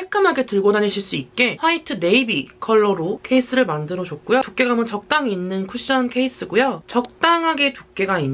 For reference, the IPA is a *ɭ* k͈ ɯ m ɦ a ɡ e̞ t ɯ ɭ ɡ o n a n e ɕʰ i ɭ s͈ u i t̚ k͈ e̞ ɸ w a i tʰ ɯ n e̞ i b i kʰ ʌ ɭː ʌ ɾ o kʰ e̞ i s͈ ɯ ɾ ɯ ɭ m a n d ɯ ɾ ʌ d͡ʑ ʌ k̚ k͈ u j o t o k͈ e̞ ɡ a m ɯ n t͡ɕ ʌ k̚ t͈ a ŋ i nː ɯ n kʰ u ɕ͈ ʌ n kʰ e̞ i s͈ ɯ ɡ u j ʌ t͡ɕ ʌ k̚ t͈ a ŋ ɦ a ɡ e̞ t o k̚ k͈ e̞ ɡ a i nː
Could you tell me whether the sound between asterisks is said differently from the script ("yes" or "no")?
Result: no